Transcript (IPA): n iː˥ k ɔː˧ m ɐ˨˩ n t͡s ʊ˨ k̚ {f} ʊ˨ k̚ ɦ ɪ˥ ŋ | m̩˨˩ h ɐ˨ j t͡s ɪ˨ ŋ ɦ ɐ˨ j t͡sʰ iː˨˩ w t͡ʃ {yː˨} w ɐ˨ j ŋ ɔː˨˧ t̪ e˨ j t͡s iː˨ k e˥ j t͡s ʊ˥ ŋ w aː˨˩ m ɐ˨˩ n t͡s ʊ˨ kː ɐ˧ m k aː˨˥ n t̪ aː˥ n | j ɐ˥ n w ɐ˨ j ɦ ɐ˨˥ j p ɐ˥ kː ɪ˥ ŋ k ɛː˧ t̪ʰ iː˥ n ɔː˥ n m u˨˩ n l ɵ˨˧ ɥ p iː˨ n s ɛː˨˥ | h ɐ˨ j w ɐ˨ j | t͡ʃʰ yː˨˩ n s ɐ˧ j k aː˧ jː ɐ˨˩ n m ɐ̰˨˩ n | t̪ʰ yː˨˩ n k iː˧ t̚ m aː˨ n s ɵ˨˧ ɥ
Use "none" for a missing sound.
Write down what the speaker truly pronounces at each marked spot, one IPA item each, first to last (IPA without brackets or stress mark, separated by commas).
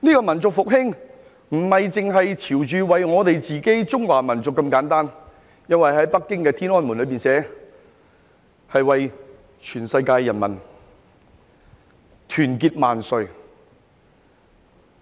f, yː˨